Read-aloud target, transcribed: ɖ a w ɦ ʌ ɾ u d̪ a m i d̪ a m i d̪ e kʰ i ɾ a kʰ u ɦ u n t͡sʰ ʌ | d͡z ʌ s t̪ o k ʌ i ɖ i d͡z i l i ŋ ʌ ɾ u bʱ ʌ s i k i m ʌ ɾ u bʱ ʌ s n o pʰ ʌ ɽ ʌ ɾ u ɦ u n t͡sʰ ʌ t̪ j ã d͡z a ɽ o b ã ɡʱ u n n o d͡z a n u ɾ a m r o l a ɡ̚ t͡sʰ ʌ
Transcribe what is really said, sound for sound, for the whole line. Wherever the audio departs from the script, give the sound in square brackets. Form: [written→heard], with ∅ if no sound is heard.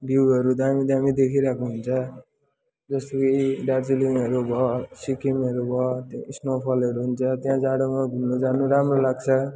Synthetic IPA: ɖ [a→i] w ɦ ʌ ɾ u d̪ a m i d̪ a m i d̪ e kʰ i ɾ a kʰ u ɦ u n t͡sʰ ʌ | d͡z ʌ s t̪ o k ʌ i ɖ [i→a] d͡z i l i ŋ ʌ ɾ u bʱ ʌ s i k i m ʌ ɾ u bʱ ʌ s n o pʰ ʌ [ɽ→l] ʌ ɾ u ɦ u n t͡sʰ ʌ t̪ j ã d͡z a ɽ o [b→m] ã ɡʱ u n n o d͡z a n u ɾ a m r o l a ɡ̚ t͡sʰ ʌ